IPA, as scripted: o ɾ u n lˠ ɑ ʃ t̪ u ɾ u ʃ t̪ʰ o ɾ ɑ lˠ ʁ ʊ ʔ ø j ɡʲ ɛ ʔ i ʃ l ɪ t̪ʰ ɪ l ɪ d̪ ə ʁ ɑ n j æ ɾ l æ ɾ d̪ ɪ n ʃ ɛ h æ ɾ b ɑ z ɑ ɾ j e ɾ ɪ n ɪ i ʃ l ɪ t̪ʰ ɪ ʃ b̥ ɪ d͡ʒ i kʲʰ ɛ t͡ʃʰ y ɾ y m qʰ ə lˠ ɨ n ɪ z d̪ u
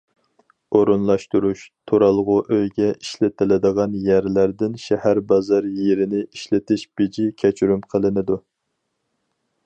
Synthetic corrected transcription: o ɾ u n lˠ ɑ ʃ t̪ u ɾ u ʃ t̪ʰ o ɾ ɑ lˠ ʁ ʊ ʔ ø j ɡʲ ɛ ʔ i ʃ l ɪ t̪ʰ ɪ l ɪ d̪ ə ʁ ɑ n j æ ɾ l æ ɾ d̪ ɪ n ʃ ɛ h æ ɾ b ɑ z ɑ ɾ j e ɾ ɪ n ɪ i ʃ l ɪ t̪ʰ ɪ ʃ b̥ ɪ d͡ʒ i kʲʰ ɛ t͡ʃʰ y ɾ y m qʰ ə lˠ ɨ n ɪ d̪ u